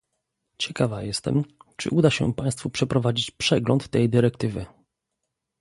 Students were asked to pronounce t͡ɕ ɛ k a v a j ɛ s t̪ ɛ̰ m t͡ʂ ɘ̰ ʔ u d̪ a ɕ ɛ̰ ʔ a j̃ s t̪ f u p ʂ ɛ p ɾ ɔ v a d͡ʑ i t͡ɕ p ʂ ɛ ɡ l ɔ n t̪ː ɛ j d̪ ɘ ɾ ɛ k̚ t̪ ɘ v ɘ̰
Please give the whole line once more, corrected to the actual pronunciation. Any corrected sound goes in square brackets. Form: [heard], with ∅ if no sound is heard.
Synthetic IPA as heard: t͡ɕ ɛ k a v a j ɛ s t̪ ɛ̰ m t͡ʂ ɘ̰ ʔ u d̪ a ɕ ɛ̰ [p] a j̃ s t̪ f u p ʂ ɛ p ɾ ɔ v a d͡ʑ i t͡ɕ p ʂ ɛ ɡ l ɔ n t̪ː ɛ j d̪ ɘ ɾ ɛ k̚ t̪ ɘ v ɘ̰